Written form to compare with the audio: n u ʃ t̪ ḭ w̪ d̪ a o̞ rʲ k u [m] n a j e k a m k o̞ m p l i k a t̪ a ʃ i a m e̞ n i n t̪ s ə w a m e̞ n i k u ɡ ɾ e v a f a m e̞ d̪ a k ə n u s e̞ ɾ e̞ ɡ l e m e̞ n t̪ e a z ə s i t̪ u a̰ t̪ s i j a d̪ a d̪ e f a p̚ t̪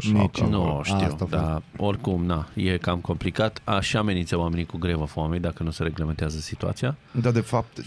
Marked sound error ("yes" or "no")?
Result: no